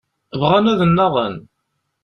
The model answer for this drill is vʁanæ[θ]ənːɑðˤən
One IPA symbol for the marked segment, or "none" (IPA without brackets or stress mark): ð